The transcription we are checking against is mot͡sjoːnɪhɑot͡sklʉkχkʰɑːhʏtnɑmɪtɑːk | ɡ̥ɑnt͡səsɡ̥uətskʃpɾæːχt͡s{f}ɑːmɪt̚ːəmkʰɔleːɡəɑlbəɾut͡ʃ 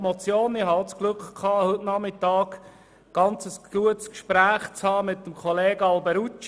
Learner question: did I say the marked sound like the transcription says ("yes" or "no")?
no